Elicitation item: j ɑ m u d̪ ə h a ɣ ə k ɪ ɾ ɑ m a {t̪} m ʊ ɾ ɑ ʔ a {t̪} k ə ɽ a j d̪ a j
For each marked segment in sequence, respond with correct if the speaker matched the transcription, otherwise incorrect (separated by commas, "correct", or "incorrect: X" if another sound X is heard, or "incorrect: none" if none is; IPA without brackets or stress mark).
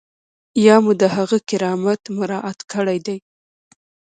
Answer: correct, correct